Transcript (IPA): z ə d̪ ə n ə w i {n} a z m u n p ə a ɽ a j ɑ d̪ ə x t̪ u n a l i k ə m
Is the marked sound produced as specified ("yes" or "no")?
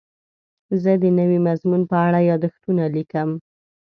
no